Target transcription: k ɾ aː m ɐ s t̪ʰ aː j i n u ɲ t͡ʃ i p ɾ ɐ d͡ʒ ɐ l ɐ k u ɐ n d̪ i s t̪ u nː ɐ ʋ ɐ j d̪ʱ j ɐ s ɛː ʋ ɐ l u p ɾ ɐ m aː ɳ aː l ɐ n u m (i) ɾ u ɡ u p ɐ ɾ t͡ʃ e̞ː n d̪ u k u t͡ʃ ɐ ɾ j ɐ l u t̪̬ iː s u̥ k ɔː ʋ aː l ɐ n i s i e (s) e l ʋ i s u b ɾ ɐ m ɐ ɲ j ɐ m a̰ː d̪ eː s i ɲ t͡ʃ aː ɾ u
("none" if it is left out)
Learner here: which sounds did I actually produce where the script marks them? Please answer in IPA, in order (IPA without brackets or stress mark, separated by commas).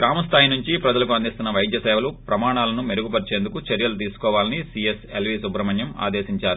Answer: e, s